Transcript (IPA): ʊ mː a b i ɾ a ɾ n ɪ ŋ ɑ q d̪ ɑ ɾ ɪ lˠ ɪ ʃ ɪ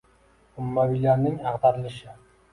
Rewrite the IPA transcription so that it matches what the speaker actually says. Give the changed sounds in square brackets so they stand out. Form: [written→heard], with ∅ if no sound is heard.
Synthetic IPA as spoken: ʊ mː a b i [ɾ→l] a ɾ n ɪ ŋ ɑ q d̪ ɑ ɾ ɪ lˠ ɪ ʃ ɪ